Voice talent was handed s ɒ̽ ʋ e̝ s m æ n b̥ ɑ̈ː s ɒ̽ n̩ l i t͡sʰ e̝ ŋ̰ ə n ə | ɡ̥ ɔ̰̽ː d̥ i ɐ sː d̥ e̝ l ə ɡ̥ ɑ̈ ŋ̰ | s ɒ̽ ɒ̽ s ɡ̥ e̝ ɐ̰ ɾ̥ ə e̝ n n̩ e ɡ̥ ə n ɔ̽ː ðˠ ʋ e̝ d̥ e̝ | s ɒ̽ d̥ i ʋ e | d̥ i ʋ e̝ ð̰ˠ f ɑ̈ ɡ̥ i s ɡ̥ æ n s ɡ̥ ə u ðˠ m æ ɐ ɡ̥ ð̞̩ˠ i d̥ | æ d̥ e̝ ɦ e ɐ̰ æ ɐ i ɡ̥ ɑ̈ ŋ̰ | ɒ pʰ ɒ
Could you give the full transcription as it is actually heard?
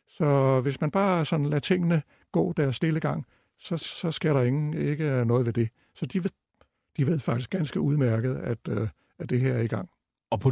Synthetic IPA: s ɒ̽ ʋ e̝ s m æ n b̥ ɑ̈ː s ɒ̽ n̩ l æ t͡sʰ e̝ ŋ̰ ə n ə | ɡ̥ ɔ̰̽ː d̥ æ ɐ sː d̥ e̝ l ə ɡ̥ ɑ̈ ŋ̰ | s ɒ̽ ɒ̽ s ɡ̥ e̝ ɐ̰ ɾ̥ ɑ e̝ ŋ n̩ e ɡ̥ ə n ɔ̽ː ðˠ ʋ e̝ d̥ e̝ | s ɒ̽ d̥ i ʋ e | d̥ i ʋ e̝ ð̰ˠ f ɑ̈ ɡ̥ i s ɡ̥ æ n s ɡ̥ ə u ðˠ m æ ɐ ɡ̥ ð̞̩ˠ æ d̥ | æ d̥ e̝ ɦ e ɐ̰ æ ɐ i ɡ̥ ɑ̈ ŋ̰ | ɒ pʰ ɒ